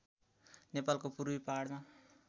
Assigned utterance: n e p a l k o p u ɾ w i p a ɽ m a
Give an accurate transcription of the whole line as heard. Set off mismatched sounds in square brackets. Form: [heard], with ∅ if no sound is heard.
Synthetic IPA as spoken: n e p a l k o p u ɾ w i p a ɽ m a